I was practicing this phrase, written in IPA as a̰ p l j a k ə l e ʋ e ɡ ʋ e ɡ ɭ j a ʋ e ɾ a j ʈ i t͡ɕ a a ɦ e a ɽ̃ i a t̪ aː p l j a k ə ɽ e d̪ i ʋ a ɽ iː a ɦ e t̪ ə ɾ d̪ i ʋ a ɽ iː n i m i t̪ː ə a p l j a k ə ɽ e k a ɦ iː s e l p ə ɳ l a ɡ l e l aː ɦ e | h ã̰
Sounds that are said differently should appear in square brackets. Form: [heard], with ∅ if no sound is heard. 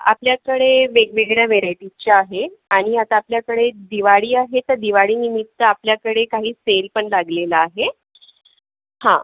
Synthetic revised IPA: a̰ p l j a k ə [ɽ] e ʋ e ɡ ʋ e ɡ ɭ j a ʋ e ɾ a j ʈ i t͡ɕ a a ɦ e a ɽ̃ i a t̪ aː p l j a k ə ɽ e d̪ i ʋ a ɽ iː a ɦ e t̪ ə ɾ d̪ i ʋ a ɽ iː n i m i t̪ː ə a p l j a k ə ɽ e k a ɦ iː s e l p ə ɳ l a ɡ l e l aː ɦ e | h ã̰

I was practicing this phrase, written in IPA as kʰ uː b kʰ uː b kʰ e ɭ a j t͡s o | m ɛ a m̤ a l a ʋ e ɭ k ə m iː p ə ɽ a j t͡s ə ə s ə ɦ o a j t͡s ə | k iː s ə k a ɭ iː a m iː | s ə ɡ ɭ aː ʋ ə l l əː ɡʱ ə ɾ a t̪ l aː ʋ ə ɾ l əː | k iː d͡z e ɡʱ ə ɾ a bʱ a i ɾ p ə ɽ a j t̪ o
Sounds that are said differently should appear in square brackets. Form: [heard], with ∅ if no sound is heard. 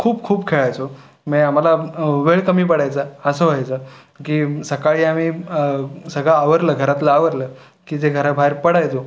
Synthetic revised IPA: kʰ uː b kʰ uː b kʰ e ɭ a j t͡s o | m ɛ a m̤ a l a ʋ e ɭ k ə m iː p ə ɽ a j t͡s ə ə s ə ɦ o a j t͡s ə | k iː s ə k a ɭ iː a m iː | s ə ɡ ɭ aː ʋ ə [ɾ] l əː ɡʱ ə ɾ a t̪ l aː ʋ ə ɾ l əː | k iː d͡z e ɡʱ ə ɾ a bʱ a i ɾ p ə ɽ a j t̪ o

